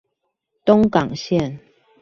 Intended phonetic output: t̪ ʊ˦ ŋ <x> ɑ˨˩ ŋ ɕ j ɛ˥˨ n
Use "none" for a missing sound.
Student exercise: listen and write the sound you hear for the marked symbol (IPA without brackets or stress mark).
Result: k